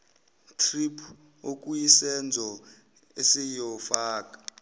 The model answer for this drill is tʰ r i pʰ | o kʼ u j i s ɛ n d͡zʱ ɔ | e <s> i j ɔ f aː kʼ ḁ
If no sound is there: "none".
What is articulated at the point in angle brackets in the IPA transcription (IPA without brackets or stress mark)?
s